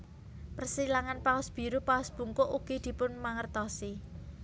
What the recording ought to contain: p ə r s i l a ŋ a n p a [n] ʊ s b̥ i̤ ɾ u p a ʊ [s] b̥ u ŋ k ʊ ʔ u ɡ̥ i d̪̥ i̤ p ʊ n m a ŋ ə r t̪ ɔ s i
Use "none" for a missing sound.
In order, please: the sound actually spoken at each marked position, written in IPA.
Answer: none, s

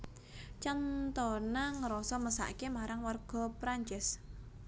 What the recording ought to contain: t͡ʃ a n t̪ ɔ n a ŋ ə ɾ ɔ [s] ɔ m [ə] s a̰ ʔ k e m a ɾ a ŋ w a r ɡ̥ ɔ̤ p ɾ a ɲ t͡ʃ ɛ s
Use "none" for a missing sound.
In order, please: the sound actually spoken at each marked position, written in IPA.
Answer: s, ə

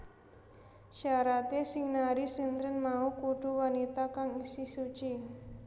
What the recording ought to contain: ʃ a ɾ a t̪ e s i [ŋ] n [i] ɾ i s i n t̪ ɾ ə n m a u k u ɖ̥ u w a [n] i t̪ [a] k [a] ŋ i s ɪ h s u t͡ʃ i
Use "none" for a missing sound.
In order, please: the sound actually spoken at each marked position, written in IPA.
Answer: ŋ, a, n, a, a

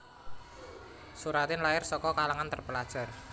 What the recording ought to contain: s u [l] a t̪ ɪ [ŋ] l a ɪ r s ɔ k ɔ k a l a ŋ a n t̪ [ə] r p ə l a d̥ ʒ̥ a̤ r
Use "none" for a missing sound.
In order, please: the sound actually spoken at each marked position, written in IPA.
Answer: ɾ, n, ə

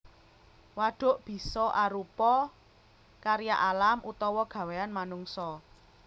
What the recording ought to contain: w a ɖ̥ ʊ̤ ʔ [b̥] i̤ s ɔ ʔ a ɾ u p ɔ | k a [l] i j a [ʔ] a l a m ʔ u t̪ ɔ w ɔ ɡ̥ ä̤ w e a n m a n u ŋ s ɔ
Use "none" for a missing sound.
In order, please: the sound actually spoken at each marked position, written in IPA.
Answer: b̥, ɾ, ʔ

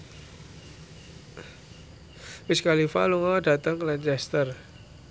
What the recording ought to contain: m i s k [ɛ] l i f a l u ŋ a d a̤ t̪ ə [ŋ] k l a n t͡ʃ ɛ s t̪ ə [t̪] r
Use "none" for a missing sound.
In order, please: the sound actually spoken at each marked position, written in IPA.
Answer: a, ŋ, none

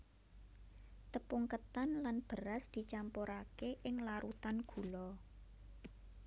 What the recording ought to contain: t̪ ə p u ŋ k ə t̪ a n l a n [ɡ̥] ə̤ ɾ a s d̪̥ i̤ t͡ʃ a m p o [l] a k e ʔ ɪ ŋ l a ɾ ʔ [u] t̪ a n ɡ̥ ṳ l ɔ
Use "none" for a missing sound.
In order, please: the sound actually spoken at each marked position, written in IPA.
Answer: b̥, ɾ, u

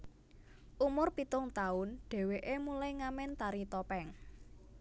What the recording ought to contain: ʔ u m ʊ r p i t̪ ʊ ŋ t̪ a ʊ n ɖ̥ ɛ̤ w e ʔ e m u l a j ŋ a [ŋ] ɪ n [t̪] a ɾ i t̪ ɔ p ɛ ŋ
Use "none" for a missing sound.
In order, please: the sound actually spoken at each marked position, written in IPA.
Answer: m, t̪

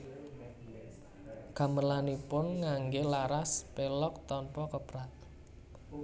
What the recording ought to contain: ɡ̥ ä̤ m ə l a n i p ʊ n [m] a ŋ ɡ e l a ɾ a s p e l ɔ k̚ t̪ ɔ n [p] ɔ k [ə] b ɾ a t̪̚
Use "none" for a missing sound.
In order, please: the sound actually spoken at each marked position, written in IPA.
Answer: ŋ, p, ə

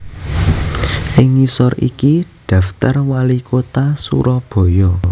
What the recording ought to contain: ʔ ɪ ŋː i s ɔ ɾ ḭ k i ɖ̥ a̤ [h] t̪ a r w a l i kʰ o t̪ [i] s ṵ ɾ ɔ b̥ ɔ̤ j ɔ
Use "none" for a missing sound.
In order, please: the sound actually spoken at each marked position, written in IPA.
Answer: f, a

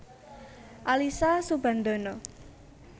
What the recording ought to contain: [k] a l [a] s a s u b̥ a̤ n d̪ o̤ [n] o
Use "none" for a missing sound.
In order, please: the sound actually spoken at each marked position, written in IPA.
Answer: ʔ, i, n

